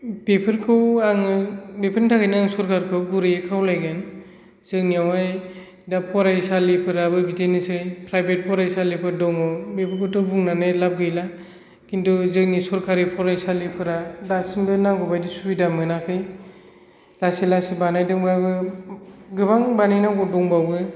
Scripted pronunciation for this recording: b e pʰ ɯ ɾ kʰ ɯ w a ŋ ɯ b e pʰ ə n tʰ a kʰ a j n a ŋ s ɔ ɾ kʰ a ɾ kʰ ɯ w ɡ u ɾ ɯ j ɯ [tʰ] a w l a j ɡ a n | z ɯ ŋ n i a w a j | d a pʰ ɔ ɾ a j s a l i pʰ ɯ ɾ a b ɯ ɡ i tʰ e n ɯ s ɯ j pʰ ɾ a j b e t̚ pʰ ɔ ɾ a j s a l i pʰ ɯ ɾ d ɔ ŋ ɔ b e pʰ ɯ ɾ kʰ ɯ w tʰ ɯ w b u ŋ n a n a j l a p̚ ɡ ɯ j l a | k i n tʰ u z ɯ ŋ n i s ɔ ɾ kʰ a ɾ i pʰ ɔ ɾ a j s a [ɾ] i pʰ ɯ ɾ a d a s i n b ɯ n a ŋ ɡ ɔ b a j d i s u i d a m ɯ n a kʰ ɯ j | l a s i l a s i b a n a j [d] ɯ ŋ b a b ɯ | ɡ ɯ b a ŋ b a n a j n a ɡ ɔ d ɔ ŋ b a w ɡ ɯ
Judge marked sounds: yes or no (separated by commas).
no, no, yes